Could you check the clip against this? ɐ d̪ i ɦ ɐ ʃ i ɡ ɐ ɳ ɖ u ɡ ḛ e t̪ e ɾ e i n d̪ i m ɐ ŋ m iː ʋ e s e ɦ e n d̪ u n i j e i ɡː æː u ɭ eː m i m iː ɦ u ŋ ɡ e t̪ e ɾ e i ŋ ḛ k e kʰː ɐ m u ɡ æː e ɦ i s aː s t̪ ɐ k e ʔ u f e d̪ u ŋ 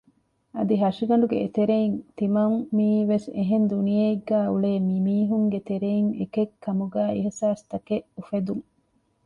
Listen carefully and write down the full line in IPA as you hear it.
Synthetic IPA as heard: ɐ d̪ i ɦ ɐ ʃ i ɡ ɐ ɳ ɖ u ɡ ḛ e t̪ e ɾ e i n t̪ i m ɐ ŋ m iː ʋ e s e ɦ e n d̪ u n i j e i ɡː æː u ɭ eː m i m iː ɦ u ŋ ɡ e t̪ e ɾ e i ŋ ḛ k e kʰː ɐ m u ɡ æː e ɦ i s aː s t̪ ɐ k e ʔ u f e d̪ u ŋ